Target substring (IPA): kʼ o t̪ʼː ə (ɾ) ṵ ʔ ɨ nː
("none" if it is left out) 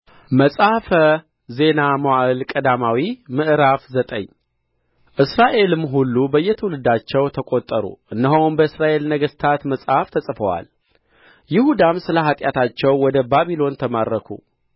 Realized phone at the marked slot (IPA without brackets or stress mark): ɾ